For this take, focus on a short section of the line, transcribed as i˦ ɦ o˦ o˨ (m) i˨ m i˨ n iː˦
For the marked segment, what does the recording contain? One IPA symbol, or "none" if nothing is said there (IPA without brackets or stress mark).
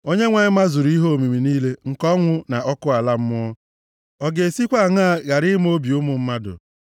m